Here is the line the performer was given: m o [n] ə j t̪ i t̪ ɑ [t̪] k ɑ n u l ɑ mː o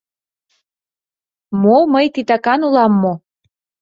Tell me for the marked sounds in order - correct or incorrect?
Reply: incorrect: m, incorrect: none

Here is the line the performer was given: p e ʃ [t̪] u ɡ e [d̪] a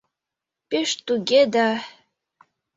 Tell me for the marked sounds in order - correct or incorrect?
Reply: correct, correct

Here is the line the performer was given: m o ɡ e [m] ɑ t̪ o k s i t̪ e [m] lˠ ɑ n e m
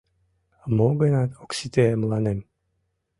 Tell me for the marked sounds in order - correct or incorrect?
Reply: incorrect: n, correct

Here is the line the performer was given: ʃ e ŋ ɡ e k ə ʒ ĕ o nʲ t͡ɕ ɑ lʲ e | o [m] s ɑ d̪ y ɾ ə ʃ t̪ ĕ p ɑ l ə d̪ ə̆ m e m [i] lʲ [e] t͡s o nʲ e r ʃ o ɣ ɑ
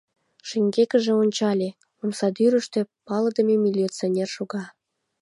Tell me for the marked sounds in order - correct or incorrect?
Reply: correct, correct, incorrect: i

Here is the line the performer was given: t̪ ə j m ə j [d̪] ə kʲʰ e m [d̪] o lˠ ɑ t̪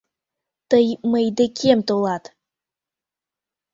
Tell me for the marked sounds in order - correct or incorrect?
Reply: correct, incorrect: t̪

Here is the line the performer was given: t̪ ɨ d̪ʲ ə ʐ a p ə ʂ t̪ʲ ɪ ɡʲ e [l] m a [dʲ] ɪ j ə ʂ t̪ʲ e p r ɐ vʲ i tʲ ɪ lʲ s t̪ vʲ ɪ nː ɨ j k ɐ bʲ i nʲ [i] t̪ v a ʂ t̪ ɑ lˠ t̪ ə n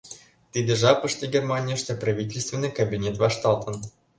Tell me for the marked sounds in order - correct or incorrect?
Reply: incorrect: r, incorrect: nʲ, incorrect: e

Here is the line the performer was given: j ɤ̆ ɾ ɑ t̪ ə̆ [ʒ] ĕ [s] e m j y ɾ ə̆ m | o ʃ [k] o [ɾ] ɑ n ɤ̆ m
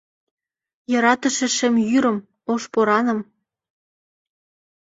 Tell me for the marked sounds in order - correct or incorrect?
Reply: incorrect: ʃ, incorrect: ʃ, incorrect: p, correct

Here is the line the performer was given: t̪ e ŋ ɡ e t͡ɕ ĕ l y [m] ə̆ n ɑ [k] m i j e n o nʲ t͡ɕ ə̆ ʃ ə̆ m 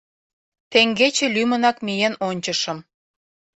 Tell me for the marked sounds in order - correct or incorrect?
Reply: correct, correct

